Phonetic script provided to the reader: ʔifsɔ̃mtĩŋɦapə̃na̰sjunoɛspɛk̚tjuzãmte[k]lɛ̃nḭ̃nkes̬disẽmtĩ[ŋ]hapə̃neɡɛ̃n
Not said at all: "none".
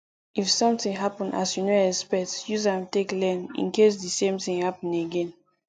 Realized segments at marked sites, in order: k, ŋ

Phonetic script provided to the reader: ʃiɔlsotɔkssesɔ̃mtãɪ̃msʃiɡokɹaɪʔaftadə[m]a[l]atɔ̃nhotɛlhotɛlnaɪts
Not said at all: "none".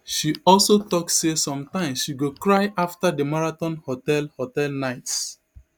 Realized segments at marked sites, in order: m, ɹ

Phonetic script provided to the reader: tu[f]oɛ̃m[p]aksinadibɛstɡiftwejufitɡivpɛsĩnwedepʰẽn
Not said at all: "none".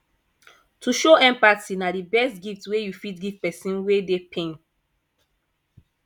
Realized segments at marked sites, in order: ʃ, p

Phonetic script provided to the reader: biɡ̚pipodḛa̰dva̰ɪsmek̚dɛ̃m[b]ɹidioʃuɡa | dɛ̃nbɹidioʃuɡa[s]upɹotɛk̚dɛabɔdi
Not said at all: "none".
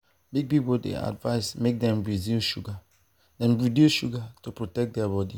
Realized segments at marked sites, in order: b, t

